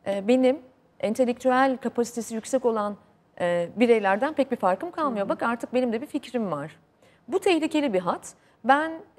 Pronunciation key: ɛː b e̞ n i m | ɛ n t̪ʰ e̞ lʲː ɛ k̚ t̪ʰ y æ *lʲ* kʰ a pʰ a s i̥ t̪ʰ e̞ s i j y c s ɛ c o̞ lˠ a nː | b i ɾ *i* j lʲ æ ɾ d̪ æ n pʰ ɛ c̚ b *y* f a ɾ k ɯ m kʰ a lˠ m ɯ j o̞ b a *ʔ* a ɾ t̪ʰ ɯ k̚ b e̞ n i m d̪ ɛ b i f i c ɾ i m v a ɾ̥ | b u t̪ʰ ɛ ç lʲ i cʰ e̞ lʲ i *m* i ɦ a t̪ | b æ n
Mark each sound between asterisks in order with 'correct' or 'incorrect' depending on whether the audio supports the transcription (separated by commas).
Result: correct, incorrect, incorrect, incorrect, incorrect